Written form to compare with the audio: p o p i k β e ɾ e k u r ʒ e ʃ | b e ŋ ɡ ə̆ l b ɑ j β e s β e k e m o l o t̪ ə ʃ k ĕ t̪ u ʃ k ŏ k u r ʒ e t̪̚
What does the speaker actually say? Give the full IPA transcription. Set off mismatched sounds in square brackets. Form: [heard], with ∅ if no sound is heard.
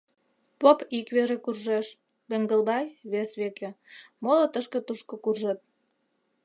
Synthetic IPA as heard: p o p i k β e ɾ e k u r ʒ e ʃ | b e ŋ ɡ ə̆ l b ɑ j β e s β e k e m o l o t̪ ə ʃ k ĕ t̪ u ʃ k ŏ k u r ʒ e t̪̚